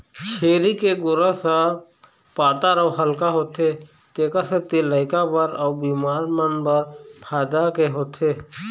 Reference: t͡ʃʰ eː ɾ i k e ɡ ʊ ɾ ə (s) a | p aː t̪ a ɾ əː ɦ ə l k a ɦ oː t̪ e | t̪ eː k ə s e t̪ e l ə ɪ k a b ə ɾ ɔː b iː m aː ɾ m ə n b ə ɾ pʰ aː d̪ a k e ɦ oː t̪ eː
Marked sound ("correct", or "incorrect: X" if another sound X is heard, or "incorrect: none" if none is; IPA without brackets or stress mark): correct